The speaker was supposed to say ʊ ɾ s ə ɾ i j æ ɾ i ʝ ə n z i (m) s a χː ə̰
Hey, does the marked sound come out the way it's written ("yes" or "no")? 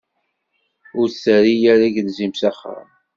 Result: yes